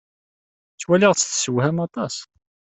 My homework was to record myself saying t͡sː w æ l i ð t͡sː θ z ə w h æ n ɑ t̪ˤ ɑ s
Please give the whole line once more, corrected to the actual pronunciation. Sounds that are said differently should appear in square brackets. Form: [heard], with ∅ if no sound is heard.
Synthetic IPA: t͡sː w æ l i [ʁ] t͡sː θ [s] ə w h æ [m] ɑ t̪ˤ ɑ s

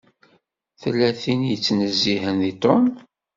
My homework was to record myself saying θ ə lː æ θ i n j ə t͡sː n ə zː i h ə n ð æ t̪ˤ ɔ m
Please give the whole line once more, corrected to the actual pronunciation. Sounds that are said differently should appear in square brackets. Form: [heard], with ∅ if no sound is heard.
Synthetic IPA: θ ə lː æ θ i n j ə t͡sː n ə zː i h ə n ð [i] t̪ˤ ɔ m

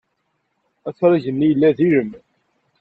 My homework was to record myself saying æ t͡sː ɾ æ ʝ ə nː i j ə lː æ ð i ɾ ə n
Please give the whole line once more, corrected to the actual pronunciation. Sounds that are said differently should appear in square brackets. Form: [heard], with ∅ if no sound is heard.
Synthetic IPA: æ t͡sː ɾ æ ʝ ə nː i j ə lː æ ð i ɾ ə [m]

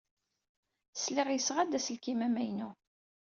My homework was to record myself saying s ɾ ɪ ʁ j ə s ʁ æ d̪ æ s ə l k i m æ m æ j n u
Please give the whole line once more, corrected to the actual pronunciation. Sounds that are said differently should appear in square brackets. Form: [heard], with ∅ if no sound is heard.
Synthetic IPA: s [l] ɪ ʁ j ə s ʁ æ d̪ æ s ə l k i m æ m æ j n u

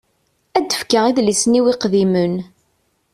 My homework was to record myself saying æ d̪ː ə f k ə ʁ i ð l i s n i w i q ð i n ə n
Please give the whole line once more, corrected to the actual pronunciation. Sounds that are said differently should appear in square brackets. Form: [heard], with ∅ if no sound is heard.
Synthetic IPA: æ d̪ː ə f k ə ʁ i ð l i s n i w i q ð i [m] ə n

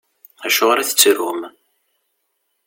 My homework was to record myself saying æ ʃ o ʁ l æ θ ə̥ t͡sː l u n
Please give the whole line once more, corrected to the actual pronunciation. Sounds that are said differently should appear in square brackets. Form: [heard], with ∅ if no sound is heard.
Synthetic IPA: æ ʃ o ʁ [ɾ] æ θ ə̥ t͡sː [ɾ] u [m]

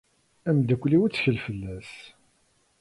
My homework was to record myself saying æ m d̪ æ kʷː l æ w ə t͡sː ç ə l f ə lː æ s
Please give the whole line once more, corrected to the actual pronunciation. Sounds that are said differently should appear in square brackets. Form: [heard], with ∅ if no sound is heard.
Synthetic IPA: æ m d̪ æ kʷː l [i] w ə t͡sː ç ə l f ə lː æ s

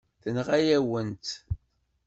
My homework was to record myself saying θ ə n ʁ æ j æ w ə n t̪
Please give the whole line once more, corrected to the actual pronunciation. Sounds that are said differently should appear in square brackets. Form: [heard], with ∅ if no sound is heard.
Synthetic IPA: θ ə n ʁ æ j æ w ə n t̪

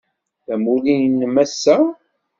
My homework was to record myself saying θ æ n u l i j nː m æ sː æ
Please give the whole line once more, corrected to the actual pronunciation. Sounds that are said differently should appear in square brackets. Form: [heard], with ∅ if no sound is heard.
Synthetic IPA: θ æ [m] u l i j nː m æ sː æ

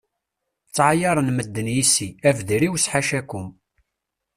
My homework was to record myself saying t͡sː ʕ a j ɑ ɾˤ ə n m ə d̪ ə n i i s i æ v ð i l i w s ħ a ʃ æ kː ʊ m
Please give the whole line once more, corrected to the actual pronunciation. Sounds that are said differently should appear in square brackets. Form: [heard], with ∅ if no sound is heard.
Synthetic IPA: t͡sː ʕ a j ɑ ɾˤ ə n m ə [d̪ː] ə n [j] i s i æ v ð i [ɾ] i w s ħ a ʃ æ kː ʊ m

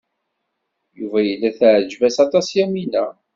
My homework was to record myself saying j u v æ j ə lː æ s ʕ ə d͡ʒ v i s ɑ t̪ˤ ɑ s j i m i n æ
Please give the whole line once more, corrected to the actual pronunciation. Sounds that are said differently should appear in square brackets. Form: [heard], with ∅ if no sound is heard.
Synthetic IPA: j u v æ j ə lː æ [θ] ʕ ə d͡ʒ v [æ] s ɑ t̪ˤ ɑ s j [æ] m i n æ

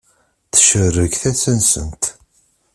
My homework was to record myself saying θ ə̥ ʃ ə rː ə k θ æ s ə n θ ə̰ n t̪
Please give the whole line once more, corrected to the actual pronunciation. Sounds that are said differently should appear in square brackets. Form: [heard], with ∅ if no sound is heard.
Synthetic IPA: θ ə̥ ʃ ə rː ə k θ æ s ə n [s] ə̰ n t̪

